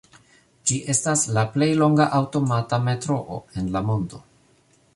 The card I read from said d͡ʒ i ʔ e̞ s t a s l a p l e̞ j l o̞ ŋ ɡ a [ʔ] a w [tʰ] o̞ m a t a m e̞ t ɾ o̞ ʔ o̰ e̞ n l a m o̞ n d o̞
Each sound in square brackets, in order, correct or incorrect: correct, incorrect: t

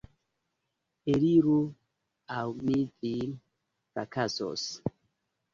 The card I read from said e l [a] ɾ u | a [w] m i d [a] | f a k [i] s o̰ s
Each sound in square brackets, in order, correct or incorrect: incorrect: i, correct, incorrect: i, incorrect: a

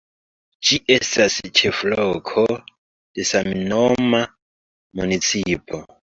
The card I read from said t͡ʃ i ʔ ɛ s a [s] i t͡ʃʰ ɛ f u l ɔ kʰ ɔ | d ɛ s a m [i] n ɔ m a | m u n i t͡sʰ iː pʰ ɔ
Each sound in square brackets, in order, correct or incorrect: correct, correct

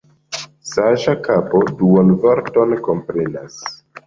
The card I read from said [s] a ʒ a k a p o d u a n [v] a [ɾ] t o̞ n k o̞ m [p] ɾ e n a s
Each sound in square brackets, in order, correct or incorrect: correct, correct, correct, correct

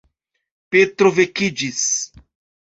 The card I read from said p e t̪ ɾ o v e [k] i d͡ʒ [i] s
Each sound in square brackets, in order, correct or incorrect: correct, correct

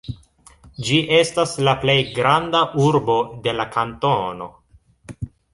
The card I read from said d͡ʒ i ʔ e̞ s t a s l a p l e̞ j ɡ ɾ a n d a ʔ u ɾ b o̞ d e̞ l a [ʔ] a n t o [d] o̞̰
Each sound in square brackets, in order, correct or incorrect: incorrect: k, incorrect: n

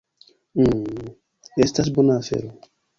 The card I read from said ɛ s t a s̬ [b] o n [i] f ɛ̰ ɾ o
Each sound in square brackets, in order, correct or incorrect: correct, incorrect: a

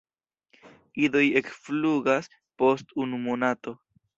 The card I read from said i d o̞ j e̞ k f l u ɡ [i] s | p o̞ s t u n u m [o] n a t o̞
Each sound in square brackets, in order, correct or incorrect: incorrect: a, correct

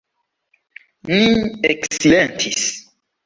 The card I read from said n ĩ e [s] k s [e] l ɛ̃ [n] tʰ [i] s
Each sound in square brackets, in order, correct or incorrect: incorrect: none, incorrect: i, correct, correct

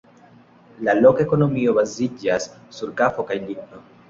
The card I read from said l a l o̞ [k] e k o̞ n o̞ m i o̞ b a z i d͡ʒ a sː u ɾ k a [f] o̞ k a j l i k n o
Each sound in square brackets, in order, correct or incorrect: correct, correct

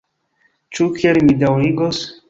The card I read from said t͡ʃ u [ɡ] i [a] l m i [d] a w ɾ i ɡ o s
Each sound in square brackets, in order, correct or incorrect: incorrect: k, incorrect: e, correct

